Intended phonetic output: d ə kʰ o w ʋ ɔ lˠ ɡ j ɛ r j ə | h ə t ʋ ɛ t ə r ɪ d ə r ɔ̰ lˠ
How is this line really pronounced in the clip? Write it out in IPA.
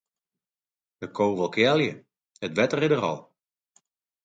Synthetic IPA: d ə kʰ o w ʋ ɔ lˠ k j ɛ l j ə | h ə t ʋ ɛ t ə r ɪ d ə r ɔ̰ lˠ